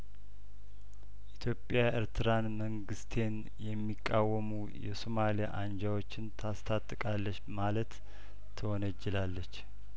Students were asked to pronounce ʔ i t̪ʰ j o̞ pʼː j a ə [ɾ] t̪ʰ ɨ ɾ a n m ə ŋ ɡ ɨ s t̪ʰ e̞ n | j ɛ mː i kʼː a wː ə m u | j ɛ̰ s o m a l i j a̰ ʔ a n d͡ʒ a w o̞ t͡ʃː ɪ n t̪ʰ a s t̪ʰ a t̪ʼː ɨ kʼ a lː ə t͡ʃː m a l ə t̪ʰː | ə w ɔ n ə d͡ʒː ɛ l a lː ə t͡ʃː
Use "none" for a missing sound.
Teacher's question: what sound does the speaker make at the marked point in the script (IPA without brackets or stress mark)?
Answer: ɾ